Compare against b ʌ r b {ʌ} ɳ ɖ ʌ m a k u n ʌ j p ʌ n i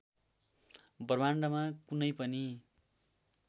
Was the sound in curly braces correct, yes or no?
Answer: no